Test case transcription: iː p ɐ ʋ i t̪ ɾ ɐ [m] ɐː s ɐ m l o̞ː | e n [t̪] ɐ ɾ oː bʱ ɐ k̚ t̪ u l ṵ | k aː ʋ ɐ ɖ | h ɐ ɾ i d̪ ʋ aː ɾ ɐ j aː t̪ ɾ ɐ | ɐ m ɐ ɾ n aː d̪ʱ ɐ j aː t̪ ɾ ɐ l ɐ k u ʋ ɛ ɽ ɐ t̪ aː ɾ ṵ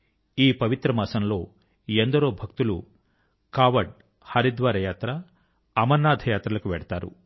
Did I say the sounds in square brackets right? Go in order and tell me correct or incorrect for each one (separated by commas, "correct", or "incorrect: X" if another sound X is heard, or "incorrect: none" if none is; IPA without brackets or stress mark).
correct, incorrect: d̪